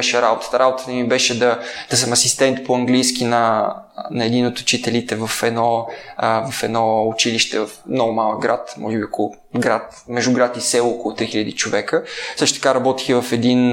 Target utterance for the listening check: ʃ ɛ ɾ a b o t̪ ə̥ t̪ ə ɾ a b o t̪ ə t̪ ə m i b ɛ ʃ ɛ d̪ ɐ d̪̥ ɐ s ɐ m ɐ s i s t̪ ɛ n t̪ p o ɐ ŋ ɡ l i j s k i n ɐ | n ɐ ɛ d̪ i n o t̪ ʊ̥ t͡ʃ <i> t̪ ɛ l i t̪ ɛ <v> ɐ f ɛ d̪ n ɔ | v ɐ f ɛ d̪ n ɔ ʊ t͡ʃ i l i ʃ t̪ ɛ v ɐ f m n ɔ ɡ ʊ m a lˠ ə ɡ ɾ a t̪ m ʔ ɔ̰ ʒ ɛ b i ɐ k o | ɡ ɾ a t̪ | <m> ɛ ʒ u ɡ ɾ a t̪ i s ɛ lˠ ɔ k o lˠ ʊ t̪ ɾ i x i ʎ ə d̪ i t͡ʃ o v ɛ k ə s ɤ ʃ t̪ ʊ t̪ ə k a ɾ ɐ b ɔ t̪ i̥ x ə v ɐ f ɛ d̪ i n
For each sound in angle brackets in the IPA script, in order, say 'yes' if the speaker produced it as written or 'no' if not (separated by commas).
yes, yes, yes